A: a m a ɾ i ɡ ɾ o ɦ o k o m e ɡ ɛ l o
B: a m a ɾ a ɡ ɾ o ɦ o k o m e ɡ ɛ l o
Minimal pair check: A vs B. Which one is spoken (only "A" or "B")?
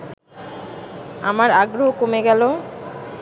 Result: B